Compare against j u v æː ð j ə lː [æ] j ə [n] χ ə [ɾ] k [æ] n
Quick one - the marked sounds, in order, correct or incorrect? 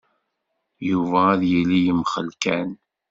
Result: incorrect: i, incorrect: m, incorrect: l, correct

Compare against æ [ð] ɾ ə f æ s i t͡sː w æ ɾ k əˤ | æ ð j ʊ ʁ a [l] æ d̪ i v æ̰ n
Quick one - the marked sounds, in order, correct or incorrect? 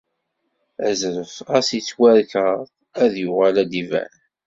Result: incorrect: z, correct

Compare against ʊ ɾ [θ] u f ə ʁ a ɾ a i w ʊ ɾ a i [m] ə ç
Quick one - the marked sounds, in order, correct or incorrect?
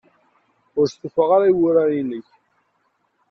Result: incorrect: s, incorrect: n

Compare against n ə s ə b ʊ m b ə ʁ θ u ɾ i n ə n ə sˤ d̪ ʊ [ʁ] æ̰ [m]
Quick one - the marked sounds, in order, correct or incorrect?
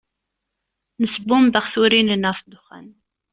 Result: incorrect: χ, incorrect: n

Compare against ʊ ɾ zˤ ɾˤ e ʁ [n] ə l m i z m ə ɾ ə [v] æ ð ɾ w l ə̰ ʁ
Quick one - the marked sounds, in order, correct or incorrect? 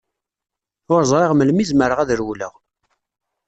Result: incorrect: m, incorrect: ʁ

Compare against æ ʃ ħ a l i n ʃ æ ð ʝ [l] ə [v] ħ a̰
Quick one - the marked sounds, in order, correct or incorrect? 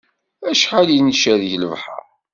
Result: correct, correct

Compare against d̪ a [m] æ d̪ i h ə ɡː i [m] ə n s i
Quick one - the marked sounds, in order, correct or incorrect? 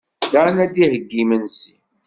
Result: incorrect: n, correct

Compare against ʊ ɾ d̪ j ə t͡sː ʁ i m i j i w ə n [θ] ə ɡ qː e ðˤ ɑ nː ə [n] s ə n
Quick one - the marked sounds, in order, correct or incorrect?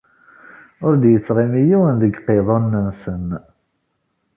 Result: incorrect: ð, correct

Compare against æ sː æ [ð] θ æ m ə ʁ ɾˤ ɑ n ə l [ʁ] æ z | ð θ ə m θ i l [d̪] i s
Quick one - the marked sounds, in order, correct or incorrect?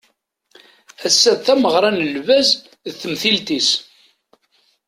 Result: correct, incorrect: v, incorrect: t̪

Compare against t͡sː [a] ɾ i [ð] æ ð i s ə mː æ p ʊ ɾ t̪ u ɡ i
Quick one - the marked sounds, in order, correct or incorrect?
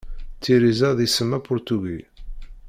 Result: incorrect: i, incorrect: z

